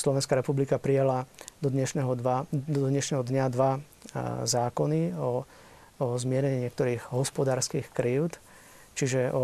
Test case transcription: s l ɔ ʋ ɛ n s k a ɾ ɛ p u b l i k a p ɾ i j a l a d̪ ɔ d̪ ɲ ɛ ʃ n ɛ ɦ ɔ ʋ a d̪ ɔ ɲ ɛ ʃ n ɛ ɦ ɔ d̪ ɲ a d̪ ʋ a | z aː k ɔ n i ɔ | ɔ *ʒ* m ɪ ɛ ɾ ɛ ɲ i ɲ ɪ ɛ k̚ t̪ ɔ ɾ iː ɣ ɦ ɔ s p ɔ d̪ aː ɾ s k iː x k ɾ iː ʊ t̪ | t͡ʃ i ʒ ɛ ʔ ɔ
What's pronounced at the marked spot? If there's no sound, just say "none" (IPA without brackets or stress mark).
z